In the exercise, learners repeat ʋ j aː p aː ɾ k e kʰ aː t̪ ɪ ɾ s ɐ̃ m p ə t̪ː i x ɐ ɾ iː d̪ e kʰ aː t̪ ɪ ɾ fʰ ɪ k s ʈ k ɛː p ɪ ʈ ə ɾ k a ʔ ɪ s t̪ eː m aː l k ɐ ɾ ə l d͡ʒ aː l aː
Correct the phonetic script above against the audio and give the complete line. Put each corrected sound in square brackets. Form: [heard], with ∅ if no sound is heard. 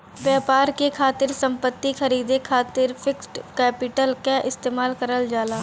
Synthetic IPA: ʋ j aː p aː ɾ k e kʰ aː t̪ ɪ ɾ s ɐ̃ m p ə t̪ː i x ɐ ɾ iː d̪ e kʰ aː t̪ ɪ ɾ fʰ ɪ k s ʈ k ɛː p ɪ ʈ ə [l] k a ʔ ɪ s t̪ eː m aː l k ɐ ɾ ə l d͡ʒ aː l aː